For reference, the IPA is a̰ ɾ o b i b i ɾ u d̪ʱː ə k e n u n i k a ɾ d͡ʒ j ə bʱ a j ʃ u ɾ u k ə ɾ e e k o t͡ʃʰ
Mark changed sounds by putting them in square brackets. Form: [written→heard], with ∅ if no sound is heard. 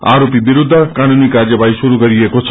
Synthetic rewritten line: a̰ ɾ o [b→p] i b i ɾ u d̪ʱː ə k [e→a] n u n i k a ɾ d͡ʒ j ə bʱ a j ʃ u ɾ u k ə ɾ [e→i] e k o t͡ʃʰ

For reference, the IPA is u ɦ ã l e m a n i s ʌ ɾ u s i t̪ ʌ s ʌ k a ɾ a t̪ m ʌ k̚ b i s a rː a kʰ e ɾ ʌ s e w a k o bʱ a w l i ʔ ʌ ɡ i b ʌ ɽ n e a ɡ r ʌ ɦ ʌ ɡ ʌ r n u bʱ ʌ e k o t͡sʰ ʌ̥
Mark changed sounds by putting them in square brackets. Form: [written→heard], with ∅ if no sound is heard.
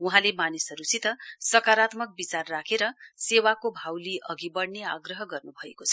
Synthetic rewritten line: u ɦ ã l e m a n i s ʌ ɾ u s i t̪ ʌ s ʌ k a ɾ a t̪ m ʌ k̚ b i [s→t͡s] a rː a kʰ e ɾ ʌ s e w a k o bʱ a w l i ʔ ʌ ɡ i b ʌ ɽ n e a ɡ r ʌ ɦ ʌ ɡ ʌ r n u bʱ ʌ e k o t͡sʰ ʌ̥

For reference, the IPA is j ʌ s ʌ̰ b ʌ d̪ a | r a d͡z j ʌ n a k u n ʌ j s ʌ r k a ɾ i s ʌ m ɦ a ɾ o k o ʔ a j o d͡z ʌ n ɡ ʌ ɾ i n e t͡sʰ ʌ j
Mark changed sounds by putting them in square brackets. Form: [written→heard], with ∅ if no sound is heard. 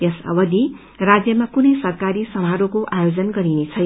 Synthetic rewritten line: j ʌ s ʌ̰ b ʌ d̪ [a→i] | r a d͡z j ʌ [n→m] a k u n ʌ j s ʌ r k a ɾ i s ʌ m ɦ a ɾ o k o ʔ a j o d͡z ʌ n ɡ ʌ ɾ i n e t͡sʰ ʌ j

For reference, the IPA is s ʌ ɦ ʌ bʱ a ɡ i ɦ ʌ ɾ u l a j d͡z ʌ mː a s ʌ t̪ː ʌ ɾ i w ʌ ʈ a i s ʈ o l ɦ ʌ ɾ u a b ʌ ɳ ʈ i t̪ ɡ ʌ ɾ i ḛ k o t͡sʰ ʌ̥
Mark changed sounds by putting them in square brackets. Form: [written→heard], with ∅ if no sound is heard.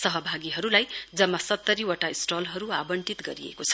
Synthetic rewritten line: s ʌ ɦ ʌ bʱ a ɡ i ɦ ʌ ɾ u l a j d͡z ʌ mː a s ʌ t̪ː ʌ ɾ i w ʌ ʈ a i s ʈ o l ɦ ʌ ɾ u a b ʌ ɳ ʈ i t̪ ɡ ʌ ɾ i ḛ k o t͡sʰ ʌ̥

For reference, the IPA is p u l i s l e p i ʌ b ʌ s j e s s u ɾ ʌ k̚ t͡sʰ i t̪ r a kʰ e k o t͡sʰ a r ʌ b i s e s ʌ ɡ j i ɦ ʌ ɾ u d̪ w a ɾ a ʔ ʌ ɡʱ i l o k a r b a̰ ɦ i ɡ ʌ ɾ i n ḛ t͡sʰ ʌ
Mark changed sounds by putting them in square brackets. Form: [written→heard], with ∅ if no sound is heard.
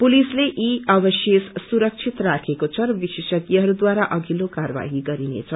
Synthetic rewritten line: p u l i s l e [p→ʔ] i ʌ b ʌ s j e s s u ɾ ʌ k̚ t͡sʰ i t̪ r a kʰ e k o t͡sʰ [a→ʌ] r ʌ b i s e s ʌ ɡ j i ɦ ʌ ɾ u d̪ w a ɾ a ʔ ʌ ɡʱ i l o k a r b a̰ ɦ i ɡ ʌ ɾ i n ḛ t͡sʰ ʌ

